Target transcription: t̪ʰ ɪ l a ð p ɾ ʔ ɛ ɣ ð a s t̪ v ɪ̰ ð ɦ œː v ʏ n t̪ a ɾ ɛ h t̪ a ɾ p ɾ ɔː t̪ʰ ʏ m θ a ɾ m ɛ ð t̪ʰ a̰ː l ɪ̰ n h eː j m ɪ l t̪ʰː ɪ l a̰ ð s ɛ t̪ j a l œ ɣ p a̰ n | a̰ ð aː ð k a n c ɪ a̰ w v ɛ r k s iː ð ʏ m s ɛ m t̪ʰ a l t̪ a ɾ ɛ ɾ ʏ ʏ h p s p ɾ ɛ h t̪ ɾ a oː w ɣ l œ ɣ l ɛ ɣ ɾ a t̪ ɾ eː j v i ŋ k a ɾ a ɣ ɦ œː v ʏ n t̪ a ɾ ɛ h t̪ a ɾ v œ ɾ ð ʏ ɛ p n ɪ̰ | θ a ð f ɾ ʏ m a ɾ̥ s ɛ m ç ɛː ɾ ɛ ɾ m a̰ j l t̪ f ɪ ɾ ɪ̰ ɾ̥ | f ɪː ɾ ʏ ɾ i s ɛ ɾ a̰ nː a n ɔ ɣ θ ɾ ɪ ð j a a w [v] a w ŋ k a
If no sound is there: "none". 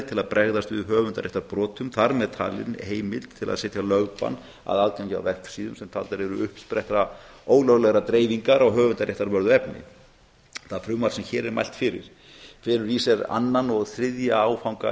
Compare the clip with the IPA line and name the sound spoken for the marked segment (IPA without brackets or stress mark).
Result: f